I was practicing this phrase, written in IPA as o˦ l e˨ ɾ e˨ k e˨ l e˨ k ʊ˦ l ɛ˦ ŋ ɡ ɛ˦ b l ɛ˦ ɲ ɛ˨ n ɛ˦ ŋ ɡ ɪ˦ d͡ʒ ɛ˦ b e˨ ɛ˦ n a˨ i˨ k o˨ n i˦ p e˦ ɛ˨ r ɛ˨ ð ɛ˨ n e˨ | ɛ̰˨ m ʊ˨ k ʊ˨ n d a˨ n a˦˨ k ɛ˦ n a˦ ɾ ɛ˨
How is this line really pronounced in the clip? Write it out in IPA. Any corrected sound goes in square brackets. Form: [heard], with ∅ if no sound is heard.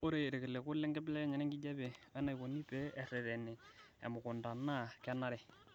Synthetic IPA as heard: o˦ [ɾ] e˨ ɾ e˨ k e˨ l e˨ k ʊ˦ l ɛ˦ ŋ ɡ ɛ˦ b l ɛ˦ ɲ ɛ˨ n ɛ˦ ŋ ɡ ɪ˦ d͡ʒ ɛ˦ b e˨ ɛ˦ n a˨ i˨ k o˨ n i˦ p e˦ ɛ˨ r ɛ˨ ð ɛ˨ n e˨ | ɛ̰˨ m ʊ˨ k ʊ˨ n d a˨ n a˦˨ k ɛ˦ n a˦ ɾ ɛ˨